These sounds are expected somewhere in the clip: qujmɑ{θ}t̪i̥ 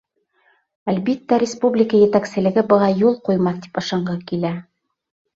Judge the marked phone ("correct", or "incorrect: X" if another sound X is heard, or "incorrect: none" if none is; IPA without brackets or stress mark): correct